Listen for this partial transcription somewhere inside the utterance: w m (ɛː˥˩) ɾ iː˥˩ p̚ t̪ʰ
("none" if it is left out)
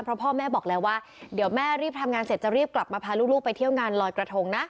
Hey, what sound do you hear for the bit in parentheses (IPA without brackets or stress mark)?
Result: ɛː˥˩